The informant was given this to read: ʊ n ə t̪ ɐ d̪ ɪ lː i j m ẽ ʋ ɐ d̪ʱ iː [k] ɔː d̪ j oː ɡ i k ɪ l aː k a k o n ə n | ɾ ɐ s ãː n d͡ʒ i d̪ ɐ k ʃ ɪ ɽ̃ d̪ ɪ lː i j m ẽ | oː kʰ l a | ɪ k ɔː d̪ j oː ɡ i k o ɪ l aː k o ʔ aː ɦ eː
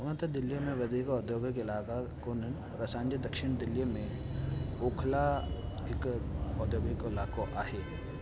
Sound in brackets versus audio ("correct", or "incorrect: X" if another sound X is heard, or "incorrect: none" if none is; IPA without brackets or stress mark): correct